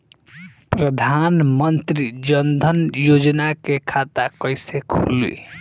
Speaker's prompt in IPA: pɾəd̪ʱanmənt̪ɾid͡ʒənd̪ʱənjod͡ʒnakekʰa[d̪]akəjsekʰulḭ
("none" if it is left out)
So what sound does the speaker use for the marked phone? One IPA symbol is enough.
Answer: t̪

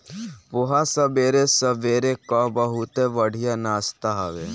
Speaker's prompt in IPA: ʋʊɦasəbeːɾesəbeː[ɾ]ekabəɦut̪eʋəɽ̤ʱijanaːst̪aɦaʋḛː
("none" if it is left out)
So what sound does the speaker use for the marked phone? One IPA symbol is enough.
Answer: ɾ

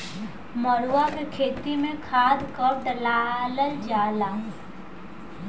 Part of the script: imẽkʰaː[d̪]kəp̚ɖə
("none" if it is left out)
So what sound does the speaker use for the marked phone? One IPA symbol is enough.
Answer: d̪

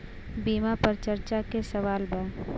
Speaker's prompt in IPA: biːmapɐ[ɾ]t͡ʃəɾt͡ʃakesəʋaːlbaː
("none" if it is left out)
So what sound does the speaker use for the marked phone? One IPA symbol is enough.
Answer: ɾ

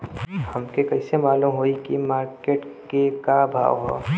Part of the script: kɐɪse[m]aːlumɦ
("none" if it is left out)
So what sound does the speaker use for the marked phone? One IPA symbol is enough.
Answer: m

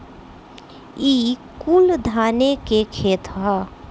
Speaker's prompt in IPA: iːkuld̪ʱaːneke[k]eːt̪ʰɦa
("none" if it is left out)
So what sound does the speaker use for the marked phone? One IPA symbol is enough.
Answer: kʰ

